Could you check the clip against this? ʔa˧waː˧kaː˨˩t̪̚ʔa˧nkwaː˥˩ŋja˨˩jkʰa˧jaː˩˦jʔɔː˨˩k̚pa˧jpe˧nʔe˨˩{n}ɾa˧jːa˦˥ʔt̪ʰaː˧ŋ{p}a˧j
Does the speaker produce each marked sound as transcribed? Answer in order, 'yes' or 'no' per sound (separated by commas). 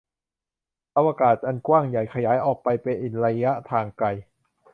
yes, no